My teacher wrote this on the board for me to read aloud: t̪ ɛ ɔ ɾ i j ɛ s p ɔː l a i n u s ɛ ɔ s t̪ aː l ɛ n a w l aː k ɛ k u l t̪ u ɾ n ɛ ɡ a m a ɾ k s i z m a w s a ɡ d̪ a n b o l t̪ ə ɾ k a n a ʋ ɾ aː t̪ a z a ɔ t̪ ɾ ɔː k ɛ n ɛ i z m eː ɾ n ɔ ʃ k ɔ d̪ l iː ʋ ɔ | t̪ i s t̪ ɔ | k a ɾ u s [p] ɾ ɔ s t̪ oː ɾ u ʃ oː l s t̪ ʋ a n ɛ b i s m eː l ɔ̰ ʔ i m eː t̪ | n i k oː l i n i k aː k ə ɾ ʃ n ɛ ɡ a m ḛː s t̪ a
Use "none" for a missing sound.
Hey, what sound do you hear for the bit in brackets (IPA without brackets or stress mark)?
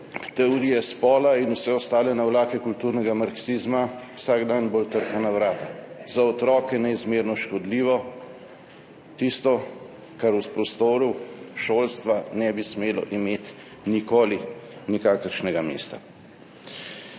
p